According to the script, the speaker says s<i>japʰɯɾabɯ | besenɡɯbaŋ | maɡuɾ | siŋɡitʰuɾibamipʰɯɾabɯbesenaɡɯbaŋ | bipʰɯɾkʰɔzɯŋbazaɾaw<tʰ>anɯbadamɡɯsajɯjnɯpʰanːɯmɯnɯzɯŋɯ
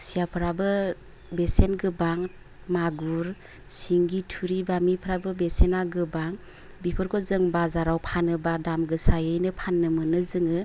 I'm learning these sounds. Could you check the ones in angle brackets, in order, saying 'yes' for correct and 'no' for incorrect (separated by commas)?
yes, no